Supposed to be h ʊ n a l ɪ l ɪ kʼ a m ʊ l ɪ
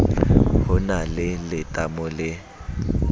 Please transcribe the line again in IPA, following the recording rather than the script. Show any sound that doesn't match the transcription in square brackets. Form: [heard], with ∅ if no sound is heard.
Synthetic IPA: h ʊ n a l ɪ l ɪ [tʼ] a m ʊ l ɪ